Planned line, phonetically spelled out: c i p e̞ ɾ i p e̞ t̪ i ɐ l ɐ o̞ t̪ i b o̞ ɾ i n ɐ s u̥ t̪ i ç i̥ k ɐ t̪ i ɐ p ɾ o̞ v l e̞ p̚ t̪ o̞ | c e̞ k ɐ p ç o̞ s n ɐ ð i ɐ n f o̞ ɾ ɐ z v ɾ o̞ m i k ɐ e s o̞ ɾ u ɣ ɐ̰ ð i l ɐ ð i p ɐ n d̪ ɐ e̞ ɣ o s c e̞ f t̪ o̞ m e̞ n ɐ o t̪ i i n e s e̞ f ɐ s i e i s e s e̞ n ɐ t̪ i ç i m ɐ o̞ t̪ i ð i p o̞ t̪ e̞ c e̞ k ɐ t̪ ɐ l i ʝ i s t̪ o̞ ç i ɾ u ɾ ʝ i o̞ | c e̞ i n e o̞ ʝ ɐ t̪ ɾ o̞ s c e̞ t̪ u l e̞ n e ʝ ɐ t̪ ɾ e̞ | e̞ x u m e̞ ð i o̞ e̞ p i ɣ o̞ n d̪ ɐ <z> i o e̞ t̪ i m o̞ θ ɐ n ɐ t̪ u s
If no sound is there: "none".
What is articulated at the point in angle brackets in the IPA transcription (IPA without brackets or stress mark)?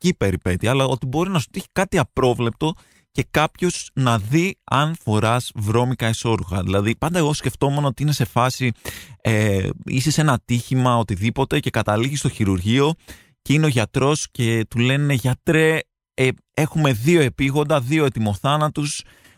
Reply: ð